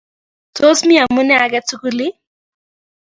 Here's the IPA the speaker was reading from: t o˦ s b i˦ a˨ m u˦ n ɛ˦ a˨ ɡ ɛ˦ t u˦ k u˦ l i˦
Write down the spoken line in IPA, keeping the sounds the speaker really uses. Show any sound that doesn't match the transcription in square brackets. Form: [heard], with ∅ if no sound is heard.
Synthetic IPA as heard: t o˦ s [m] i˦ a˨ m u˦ n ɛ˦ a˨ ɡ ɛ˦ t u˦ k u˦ l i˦